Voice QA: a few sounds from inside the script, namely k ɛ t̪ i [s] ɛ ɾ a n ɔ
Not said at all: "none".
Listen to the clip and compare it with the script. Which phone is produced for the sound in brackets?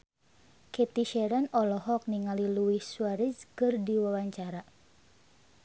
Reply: ʃ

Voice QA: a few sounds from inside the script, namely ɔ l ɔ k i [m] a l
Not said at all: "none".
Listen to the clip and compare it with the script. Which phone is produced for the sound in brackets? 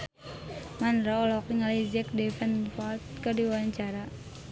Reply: ŋ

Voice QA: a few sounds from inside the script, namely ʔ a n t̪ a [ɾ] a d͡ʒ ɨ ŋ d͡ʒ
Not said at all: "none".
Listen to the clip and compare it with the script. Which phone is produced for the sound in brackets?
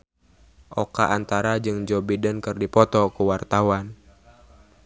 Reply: ɾ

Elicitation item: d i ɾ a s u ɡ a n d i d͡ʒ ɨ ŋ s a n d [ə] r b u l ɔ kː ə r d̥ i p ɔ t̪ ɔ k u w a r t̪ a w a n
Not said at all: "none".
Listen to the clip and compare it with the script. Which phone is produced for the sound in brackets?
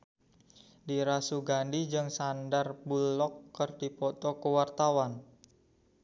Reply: a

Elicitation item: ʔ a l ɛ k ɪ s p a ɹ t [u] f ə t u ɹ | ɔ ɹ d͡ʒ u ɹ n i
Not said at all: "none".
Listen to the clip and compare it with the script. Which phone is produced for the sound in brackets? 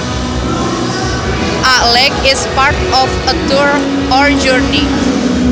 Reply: ɔ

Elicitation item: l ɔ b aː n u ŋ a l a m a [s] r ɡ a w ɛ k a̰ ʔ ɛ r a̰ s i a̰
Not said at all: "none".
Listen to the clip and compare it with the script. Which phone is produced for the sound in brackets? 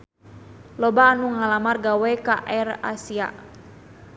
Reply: none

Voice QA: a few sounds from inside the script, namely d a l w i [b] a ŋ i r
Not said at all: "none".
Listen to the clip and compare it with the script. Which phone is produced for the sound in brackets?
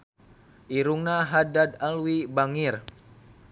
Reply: b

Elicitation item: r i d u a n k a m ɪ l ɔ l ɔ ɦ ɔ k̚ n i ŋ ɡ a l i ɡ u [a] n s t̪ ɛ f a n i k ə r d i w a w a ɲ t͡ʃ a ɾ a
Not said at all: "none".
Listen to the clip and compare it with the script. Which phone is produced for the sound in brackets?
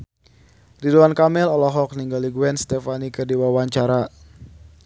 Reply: ɛ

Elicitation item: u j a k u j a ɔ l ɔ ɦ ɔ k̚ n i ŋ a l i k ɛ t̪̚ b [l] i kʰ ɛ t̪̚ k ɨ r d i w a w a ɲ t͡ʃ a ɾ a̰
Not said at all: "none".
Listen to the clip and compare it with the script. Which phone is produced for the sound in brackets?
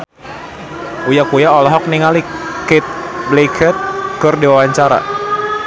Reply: l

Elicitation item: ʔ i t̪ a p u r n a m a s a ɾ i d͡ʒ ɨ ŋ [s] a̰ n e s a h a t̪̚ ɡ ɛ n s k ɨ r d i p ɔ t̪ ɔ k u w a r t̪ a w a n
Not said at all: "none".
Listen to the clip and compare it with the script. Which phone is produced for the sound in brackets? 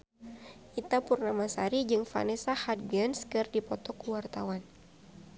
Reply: f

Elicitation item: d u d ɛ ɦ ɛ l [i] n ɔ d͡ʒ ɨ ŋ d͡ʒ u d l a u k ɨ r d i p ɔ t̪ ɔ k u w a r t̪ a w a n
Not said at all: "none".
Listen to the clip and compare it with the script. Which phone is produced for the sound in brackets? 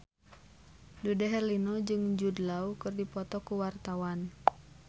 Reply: i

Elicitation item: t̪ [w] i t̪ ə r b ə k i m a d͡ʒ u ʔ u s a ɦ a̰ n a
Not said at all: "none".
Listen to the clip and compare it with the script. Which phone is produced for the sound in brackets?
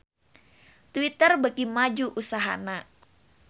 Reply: w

